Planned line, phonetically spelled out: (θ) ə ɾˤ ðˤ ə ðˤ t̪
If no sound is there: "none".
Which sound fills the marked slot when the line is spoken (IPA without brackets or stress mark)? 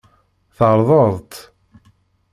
θ